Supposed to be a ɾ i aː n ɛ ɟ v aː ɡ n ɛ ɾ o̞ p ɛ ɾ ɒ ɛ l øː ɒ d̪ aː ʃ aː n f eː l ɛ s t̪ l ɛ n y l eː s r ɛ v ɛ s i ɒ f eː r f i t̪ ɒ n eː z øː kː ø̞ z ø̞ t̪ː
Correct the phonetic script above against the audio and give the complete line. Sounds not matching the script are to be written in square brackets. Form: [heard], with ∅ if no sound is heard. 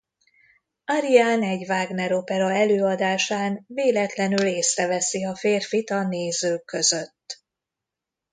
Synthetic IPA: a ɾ i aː n ɛ ɟ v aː ɡ n ɛ ɾ o̞ p ɛ ɾ ɒ ɛ l øː ɒ d̪ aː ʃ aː n [v] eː l ɛ [∅] t̪ l ɛ n y l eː s r ɛ v ɛ s i ɒ f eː r f i t̪ ɒ n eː z øː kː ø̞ z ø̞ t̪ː